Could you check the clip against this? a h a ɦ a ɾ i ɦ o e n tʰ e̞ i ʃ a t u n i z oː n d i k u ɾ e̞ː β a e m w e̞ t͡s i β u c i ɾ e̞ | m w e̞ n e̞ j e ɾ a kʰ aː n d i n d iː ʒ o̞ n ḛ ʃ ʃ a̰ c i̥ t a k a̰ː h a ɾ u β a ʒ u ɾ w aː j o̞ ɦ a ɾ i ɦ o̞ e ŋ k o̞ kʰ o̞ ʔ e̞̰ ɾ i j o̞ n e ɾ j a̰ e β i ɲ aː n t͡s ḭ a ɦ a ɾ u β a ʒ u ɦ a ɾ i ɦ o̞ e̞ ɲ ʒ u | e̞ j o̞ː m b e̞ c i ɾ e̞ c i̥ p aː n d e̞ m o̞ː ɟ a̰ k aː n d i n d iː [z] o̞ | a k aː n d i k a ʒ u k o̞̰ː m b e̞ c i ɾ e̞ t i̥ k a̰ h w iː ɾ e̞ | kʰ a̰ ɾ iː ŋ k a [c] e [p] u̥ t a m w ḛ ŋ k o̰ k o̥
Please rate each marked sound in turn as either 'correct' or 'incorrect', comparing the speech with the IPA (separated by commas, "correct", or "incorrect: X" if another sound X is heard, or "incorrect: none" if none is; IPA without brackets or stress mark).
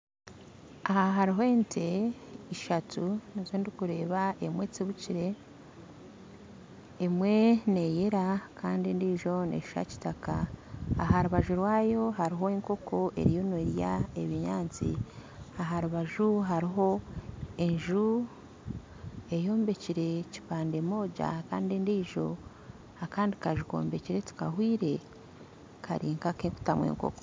incorrect: ʒ, incorrect: k, incorrect: k